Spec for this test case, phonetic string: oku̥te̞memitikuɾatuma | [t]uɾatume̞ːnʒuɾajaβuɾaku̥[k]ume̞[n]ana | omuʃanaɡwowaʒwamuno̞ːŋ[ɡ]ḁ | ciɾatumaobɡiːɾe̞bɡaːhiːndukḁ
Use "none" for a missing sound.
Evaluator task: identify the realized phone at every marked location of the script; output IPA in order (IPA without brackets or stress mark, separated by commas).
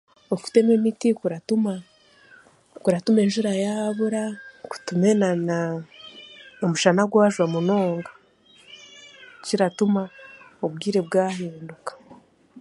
k, t, n, ɡ